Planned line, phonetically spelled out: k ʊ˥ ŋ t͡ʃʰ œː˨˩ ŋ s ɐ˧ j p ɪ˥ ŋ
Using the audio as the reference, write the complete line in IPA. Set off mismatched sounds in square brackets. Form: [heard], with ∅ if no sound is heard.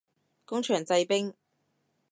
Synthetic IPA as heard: k ʊ˥ ŋ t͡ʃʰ œː˨˩ ŋ [t͡s] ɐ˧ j p ɪ˥ ŋ